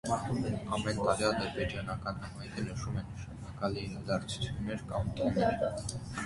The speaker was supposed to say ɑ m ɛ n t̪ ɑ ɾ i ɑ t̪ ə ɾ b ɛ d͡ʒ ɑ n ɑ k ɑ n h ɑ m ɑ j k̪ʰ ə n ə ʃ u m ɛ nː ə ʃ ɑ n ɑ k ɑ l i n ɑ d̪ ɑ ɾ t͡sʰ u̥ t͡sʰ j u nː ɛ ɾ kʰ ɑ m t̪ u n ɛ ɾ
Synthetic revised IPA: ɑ m ɛ n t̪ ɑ ɾ i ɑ d̪ ə ɾ b ɛ d͡ʒ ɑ n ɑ k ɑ n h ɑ m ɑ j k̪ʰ ə n ə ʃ u m ɛ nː ə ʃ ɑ n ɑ k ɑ l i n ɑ d̪ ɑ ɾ t͡sʰ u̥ t͡sʰ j u nː ɛ ɾ k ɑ m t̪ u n ɛ ɾ